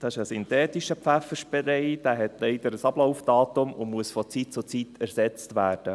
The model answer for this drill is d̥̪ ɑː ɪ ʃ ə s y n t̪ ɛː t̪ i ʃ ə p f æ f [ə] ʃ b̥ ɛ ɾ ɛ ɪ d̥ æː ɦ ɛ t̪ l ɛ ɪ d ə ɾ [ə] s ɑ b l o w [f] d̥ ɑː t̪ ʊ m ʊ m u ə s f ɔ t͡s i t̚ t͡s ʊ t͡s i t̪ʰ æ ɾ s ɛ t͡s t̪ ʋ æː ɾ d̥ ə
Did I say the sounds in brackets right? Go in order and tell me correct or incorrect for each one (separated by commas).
correct, correct, correct